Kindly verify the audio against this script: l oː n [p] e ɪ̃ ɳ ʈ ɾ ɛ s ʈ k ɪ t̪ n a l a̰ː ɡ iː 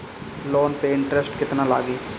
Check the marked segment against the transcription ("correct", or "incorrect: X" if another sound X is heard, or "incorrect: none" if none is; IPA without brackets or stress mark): correct